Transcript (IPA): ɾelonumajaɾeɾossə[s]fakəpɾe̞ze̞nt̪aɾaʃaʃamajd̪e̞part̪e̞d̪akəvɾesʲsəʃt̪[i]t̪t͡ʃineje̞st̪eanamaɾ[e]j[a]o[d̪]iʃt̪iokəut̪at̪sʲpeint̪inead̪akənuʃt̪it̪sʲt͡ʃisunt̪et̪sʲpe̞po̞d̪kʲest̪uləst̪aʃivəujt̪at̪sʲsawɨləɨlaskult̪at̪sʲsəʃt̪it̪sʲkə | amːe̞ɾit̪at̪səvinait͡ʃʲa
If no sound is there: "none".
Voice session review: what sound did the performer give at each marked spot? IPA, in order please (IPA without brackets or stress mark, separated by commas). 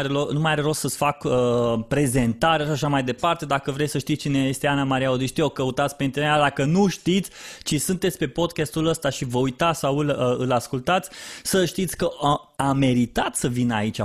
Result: s, i, i, a, d̪